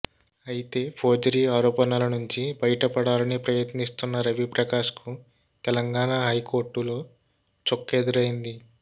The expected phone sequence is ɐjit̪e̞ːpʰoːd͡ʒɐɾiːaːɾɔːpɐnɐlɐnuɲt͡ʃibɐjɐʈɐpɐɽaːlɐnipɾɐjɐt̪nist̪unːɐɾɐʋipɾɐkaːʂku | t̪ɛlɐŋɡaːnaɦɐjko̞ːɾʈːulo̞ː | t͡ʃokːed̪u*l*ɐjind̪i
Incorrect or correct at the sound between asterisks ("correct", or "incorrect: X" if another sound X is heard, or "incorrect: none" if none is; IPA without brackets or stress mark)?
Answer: incorrect: ɾ